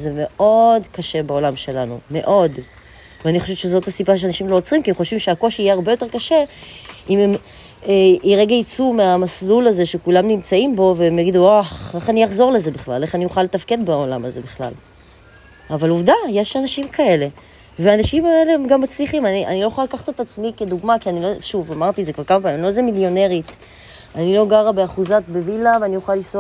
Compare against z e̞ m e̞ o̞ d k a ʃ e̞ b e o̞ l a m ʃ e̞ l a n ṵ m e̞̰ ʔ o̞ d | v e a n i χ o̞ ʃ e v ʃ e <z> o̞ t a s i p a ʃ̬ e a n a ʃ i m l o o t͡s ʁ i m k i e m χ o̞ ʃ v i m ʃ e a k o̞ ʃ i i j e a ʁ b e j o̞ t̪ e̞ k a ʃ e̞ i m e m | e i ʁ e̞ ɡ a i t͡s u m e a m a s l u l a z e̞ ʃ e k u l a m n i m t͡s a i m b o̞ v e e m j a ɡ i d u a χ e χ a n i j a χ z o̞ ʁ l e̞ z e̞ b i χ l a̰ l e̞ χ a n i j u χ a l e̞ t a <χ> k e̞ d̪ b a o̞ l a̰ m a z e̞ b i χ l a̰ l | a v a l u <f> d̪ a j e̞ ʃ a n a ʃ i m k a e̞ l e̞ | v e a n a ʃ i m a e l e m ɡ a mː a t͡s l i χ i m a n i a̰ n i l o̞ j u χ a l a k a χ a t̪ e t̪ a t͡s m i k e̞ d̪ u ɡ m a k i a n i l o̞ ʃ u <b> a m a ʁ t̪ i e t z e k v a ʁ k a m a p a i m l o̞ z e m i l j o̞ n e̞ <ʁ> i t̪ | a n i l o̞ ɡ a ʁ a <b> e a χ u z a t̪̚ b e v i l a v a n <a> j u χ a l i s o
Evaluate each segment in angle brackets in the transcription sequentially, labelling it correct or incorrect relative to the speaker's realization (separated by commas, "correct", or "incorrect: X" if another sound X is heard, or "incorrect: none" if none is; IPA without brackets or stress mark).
correct, incorrect: f, incorrect: v, incorrect: v, correct, correct, incorrect: i